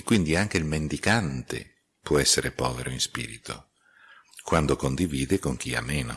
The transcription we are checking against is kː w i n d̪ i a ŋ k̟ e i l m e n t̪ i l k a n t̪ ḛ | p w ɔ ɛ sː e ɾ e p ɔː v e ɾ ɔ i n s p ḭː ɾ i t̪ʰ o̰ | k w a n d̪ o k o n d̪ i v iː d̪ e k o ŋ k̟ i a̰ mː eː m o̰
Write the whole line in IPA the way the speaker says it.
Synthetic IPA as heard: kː w i n d̪ i a ŋ k̟ e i l m e n d̪ i k a n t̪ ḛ | p w ɔ ɛ sː e ɾ e p ɔː v e ɾ o i n s p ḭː ɾ i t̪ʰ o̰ | k w a n d̪ o k o n d̪ i v iː d̪ e k o ŋ k̟ i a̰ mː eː n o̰